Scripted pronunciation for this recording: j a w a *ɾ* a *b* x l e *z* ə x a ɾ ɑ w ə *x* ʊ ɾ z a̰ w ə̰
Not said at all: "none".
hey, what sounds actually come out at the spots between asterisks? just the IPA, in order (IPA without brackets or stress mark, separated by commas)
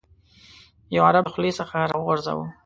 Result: ɾ, b, s, ɣ